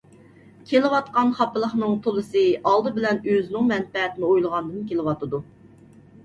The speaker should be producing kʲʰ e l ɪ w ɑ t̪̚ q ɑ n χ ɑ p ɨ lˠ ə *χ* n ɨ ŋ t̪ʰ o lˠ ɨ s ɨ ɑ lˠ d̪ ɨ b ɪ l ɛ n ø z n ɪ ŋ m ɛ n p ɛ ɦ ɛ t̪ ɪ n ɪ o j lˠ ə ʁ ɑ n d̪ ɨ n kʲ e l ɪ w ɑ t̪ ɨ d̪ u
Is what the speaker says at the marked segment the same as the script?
yes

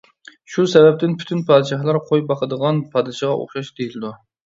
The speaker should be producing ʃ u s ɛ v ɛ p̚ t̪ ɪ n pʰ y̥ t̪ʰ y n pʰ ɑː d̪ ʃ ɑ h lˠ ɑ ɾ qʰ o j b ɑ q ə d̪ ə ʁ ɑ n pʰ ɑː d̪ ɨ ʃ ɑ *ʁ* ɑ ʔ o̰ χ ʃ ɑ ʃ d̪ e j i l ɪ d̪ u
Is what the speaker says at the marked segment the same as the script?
yes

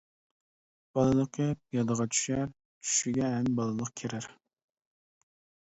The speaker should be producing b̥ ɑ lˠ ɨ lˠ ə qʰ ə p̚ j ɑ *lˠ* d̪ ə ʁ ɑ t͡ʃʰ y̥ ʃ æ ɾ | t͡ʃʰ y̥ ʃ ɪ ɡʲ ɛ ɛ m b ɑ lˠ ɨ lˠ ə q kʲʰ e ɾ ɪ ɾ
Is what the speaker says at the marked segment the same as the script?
no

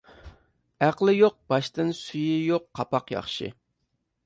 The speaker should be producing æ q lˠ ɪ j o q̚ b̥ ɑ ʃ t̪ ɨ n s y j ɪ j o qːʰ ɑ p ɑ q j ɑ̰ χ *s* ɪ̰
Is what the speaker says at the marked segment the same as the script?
no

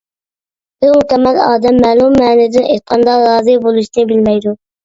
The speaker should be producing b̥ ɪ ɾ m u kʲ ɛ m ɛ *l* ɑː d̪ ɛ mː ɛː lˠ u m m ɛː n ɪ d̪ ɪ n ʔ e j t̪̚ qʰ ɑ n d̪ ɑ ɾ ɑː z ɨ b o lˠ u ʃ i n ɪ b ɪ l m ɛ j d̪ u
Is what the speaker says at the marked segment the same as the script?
yes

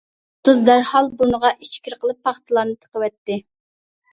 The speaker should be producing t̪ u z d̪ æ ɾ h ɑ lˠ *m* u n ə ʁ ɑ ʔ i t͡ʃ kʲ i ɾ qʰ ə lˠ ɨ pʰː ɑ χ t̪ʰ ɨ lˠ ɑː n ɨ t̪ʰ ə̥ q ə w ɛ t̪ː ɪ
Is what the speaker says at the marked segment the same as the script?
no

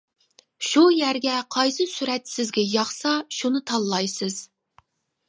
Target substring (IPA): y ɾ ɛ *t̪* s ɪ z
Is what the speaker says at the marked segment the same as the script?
yes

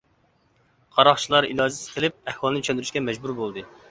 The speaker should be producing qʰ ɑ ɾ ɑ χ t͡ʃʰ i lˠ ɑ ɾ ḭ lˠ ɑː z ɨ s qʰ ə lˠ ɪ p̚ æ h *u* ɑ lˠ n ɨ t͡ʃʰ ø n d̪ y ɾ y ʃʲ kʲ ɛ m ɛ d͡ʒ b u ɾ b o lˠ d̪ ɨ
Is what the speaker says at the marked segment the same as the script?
no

